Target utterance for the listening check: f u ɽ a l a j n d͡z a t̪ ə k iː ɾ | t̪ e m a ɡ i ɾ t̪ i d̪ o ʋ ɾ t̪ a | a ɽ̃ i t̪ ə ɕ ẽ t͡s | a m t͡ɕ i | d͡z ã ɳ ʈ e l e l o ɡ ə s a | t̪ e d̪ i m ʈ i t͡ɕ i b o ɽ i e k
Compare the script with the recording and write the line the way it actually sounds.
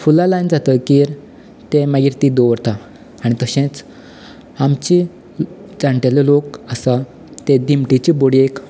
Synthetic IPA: f u l a l a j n d͡z a t̪ ə k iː ɾ | t̪ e m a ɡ i ɾ t̪ i d̪ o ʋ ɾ t̪ a | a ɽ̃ i t̪ ə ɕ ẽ t͡s | a m t͡ɕ i | d͡z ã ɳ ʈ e l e l o k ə s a | t̪ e d̪ i m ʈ i t͡ɕ i b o ɽ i e k